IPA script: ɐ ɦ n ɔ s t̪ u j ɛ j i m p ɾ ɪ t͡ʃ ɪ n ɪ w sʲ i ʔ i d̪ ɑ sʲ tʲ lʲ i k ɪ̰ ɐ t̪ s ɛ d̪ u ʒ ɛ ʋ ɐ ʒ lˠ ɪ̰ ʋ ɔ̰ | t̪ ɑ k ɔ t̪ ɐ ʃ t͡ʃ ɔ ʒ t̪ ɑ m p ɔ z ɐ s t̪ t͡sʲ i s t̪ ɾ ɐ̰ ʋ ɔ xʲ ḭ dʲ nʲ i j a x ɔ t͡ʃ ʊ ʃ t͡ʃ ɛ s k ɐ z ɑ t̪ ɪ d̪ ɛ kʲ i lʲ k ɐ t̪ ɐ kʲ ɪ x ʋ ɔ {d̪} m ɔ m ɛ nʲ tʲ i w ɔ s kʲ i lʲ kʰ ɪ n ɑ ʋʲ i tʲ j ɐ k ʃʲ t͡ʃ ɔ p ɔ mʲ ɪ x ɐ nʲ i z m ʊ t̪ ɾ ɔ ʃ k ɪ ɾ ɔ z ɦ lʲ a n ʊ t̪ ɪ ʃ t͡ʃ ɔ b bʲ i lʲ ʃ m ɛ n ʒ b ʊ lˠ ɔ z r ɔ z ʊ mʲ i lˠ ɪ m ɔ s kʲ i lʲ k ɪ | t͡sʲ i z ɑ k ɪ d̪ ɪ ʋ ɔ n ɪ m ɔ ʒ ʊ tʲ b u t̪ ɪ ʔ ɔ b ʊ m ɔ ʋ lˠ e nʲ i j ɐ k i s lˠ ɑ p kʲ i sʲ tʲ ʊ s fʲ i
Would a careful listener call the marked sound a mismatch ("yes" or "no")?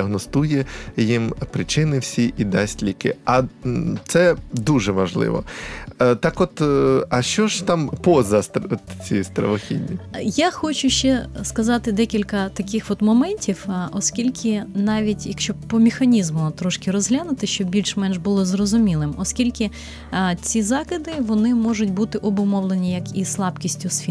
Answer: yes